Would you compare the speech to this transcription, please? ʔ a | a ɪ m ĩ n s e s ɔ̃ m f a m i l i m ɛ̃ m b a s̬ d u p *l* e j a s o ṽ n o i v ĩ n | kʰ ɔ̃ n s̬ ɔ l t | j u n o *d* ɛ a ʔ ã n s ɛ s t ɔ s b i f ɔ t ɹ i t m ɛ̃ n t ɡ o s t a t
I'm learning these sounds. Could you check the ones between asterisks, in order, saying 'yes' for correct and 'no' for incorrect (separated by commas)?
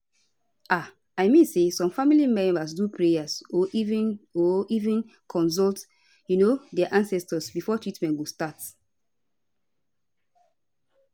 no, yes